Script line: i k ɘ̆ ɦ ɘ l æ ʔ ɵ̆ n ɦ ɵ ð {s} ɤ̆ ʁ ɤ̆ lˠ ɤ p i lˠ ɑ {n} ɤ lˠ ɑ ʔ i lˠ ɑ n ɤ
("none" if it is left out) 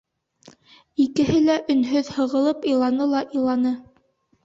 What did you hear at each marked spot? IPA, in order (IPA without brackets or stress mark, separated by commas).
h, n